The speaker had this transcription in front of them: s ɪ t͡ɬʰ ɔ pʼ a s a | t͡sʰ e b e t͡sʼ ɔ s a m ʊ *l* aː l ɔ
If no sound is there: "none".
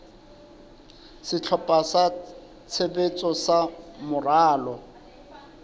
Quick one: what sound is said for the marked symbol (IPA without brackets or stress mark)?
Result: r